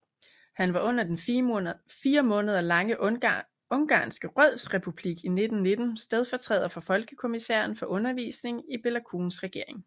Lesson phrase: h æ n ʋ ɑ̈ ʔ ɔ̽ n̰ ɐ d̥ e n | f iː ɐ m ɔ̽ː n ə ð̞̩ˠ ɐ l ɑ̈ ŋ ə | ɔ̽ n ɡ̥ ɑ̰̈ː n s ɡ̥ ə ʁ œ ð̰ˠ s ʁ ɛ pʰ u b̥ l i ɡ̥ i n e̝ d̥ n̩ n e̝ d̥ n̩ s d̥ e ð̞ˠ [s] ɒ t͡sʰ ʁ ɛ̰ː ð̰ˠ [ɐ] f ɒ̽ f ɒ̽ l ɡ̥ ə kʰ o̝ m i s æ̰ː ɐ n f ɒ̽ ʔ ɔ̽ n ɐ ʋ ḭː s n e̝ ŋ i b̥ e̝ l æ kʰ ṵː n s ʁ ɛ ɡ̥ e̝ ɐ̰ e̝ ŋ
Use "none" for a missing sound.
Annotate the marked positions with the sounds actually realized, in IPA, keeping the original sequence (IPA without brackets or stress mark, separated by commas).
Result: f, ɐ